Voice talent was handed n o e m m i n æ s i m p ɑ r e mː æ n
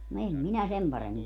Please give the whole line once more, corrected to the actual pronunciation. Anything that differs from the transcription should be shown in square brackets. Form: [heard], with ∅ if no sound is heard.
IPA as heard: n o e m m i n æ s [e] m p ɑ r e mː [i] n